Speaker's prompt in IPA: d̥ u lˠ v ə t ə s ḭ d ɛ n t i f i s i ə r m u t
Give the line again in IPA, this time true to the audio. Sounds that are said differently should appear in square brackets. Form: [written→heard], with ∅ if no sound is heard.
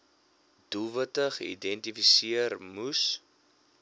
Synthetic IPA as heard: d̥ u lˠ v ə t ə [s→χ] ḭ d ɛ n t i f i s i ə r m u [t→s]